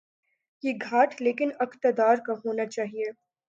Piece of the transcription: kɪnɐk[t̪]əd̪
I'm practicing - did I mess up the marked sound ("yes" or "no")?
no